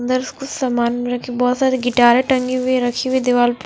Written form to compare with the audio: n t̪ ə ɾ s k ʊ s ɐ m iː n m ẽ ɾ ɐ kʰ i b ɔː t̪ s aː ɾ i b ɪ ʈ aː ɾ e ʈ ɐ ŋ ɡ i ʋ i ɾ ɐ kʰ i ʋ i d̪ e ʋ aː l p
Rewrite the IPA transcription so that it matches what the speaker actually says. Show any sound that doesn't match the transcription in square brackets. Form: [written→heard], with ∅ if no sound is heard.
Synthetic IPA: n [t̪→d̪] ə ɾ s k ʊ s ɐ m [iː→aː] n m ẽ ɾ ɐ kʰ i b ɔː t̪ s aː ɾ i [b→ɡ] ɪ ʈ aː ɾ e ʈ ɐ ŋ ɡ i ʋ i ɾ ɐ kʰ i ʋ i d̪ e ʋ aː l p

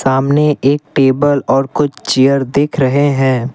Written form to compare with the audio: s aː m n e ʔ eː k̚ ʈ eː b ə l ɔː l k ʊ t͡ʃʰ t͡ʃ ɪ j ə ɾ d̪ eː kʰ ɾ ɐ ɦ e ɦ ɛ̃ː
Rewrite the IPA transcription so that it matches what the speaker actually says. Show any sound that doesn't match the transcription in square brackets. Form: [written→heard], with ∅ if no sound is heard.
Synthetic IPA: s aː m n e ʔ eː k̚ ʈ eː b ə l ɔː [l→ɾ] k ʊ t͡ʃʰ t͡ʃ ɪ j ə ɾ d̪ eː kʰ ɾ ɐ ɦ e ɦ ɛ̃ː

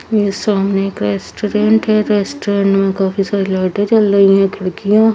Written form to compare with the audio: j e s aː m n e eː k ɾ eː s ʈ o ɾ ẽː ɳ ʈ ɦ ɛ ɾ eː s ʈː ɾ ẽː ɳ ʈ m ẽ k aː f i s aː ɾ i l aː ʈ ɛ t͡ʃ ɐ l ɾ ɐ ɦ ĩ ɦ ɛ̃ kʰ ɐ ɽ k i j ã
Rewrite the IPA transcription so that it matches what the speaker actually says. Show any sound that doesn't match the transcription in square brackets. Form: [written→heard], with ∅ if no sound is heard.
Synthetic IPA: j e s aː m n e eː k ɾ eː s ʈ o ɾ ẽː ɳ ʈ ɦ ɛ ɾ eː s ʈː ɾ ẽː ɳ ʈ m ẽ k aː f i s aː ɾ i l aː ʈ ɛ t͡ʃ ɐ l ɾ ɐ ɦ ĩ ɦ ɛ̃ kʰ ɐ ɽ k i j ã

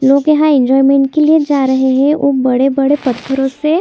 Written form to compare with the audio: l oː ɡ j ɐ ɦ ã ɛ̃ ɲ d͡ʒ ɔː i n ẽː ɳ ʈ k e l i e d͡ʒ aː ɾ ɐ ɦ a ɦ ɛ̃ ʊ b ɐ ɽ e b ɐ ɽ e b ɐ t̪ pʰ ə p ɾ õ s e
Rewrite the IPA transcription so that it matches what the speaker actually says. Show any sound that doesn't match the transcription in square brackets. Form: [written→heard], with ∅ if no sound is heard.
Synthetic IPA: l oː ɡ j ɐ ɦ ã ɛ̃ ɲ d͡ʒ ɔː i [n→m] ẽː ɳ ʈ k e l i e d͡ʒ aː ɾ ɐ ɦ [a→e] ɦ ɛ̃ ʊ b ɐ ɽ e b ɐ ɽ e [b→p] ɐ t̪ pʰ ə [p→∅] ɾ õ s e

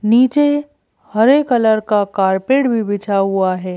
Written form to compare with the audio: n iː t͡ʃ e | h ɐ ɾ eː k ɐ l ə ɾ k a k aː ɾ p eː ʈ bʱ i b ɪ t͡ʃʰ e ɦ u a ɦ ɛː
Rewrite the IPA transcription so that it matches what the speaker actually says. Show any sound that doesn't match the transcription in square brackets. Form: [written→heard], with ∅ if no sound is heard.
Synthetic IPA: n iː t͡ʃ e | h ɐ ɾ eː k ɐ l ə ɾ k a k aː ɾ p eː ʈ bʱ i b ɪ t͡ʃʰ [e→a] ɦ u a ɦ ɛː

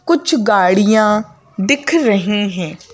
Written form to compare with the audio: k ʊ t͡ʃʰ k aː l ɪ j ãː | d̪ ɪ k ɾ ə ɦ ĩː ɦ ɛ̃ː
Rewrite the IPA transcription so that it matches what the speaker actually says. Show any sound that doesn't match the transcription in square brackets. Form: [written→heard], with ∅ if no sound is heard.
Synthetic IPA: k ʊ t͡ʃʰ [k→ɡ] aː [l→ɽ] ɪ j ãː | d̪ ɪ [k→kʰ] ɾ ə ɦ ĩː ɦ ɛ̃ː

